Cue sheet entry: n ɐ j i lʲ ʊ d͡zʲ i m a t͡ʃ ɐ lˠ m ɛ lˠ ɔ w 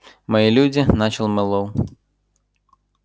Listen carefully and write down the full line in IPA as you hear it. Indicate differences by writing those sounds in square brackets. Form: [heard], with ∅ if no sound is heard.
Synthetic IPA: [m] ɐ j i lʲ [u] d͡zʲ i [n] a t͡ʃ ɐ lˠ m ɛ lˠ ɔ w